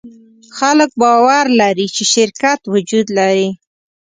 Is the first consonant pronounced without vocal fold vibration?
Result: yes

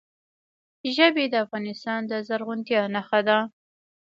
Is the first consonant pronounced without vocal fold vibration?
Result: no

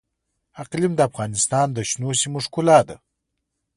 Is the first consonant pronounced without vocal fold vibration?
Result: yes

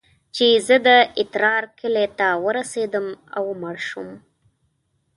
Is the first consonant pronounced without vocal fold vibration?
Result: yes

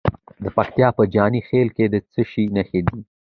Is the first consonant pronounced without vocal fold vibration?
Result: no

